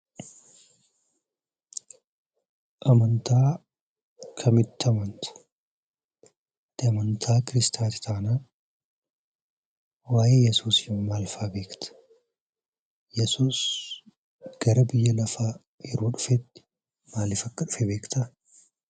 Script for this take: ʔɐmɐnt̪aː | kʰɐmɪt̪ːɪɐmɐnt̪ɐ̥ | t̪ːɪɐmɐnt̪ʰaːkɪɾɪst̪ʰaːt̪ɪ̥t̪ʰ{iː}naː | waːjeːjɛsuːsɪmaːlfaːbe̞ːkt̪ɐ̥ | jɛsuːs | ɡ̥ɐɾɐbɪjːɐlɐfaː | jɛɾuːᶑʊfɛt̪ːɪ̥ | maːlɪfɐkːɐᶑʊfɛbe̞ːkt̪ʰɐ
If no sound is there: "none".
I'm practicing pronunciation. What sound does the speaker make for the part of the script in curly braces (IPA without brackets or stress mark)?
aː